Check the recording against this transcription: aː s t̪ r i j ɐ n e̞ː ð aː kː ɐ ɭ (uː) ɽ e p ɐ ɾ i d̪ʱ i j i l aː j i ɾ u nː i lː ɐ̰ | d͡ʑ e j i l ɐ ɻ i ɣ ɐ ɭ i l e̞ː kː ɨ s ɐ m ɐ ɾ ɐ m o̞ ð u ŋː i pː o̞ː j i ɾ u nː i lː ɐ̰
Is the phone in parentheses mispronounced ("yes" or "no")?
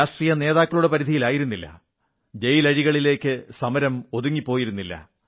yes